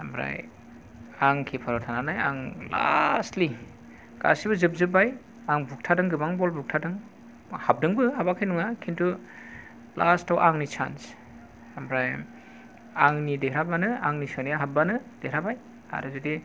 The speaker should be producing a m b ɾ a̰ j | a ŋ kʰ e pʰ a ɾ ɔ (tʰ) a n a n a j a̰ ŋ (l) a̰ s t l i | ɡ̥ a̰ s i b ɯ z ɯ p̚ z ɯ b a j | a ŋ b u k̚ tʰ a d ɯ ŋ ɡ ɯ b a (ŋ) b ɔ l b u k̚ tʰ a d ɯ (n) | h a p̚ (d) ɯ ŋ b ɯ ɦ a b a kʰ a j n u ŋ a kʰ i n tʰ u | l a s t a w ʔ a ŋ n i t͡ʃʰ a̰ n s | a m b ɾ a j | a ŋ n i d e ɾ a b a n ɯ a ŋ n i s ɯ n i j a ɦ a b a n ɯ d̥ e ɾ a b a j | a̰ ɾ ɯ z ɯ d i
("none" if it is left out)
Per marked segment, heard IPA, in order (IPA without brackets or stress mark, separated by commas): tʰ, l, ŋ, ŋ, d